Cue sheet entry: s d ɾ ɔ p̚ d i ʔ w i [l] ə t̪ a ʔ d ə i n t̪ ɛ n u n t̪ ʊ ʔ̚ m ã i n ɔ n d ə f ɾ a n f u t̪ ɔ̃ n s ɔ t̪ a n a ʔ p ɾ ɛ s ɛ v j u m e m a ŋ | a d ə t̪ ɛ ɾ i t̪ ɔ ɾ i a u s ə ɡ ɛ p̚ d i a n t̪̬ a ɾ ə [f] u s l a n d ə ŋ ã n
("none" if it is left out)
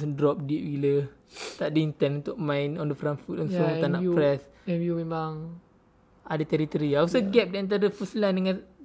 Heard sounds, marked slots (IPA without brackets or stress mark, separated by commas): l, f